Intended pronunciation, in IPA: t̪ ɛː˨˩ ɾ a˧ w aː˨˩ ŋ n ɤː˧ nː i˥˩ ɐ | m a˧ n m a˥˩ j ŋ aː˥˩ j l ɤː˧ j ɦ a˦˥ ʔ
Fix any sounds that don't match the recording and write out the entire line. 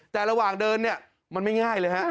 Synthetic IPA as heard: t̪ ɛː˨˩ ɾ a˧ w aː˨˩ ŋ d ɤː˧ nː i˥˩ ɐ | m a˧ n m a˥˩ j ŋ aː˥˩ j l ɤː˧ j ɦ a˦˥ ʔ